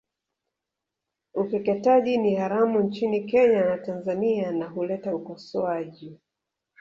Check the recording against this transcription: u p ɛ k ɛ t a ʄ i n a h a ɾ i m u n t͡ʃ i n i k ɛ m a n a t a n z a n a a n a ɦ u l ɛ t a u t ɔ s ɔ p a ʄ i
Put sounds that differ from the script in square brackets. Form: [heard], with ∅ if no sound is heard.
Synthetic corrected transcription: u p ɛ k ɛ t a ʄ i n [i] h a ɾ [a] m u n t͡ʃ i n i k ɛ [ɲ] a n a t a n z a n [i] a n a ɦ u l ɛ t a u [k] ɔ s ɔ [∅] a ʄ i